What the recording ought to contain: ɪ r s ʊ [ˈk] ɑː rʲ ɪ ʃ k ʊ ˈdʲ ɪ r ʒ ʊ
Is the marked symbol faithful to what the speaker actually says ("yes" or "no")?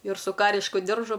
yes